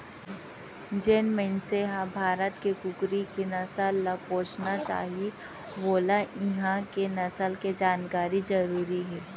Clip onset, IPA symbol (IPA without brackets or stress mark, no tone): d͡ʒ